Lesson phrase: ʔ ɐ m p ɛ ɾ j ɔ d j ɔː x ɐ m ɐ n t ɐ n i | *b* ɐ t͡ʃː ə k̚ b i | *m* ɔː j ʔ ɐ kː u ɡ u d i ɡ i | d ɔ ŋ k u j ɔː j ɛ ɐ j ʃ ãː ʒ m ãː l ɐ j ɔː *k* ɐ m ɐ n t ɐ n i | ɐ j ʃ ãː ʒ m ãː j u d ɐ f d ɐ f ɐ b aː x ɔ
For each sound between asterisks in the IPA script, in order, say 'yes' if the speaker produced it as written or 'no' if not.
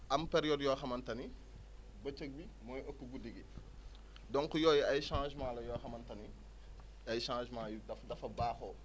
yes, yes, no

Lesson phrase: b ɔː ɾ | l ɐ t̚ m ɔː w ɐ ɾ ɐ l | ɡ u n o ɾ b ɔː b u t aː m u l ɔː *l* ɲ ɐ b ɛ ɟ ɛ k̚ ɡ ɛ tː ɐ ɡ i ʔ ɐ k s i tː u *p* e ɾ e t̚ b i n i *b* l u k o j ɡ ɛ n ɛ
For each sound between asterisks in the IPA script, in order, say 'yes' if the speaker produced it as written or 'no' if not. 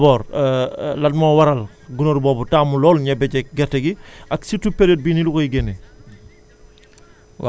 yes, yes, no

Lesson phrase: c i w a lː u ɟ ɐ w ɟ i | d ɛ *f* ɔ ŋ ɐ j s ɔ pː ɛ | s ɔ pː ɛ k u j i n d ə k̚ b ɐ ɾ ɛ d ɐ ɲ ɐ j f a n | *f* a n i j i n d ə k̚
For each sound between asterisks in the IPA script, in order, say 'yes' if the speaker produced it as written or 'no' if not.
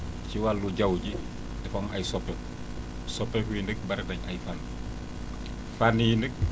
yes, yes

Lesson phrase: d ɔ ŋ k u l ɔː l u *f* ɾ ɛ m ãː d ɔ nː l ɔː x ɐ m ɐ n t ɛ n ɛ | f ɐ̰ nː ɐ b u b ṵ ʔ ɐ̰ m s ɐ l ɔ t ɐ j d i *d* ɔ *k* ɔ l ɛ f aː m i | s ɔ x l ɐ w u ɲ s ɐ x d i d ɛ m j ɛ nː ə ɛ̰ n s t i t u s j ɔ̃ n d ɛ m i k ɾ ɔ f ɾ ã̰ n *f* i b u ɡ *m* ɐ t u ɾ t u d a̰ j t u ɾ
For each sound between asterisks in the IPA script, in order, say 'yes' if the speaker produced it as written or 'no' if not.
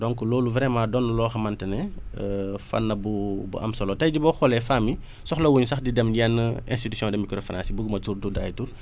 no, no, no, no, yes

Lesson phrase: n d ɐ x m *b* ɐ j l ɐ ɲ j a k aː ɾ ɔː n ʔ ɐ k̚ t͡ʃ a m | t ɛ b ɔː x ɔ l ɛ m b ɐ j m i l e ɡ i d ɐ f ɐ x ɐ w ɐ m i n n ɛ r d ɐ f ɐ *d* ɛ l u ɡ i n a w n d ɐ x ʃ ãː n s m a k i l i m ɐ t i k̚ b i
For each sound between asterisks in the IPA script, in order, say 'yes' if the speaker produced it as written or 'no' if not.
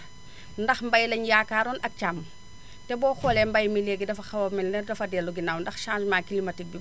yes, yes

